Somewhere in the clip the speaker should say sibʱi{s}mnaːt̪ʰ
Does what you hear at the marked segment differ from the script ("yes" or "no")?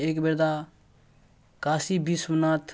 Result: no